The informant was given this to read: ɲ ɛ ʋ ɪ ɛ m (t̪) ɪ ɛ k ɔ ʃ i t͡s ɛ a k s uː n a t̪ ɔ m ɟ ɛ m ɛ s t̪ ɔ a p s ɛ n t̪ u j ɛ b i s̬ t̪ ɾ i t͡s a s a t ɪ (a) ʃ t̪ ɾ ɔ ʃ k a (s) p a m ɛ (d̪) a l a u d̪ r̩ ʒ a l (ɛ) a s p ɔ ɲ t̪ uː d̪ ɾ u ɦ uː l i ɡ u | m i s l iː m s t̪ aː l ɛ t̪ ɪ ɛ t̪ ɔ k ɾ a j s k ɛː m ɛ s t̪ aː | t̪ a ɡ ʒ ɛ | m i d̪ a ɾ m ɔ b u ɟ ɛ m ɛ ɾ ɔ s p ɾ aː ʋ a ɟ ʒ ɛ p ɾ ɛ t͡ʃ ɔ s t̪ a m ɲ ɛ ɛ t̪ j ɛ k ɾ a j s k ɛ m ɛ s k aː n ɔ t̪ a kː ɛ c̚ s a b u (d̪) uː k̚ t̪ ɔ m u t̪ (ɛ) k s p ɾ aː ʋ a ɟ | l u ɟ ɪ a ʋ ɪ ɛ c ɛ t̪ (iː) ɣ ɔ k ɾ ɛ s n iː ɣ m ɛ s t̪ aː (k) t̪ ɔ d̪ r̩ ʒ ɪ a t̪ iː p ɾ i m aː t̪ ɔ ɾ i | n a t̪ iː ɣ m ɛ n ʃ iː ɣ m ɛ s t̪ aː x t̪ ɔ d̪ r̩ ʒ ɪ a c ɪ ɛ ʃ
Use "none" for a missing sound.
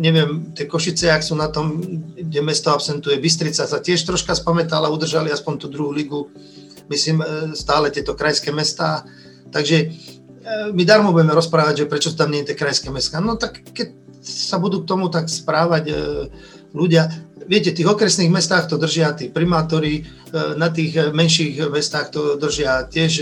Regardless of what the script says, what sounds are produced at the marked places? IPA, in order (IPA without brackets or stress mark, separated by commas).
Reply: t̪, ɛ, s, t̪, i, d̪, a, iː, x